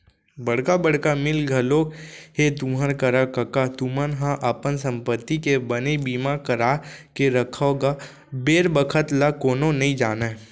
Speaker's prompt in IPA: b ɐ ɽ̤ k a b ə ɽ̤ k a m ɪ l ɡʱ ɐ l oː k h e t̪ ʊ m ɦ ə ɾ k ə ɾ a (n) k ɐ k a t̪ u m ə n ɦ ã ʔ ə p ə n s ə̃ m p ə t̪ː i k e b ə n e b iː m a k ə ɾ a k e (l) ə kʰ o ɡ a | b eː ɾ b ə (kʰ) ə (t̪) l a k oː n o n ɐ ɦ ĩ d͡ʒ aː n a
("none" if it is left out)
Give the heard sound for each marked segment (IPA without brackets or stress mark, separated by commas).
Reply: none, ɾ, kʰ, t̪